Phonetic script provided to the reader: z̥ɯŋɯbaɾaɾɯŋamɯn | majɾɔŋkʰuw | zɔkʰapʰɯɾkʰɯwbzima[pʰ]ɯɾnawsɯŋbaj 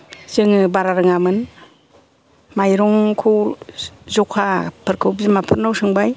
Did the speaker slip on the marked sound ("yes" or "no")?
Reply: no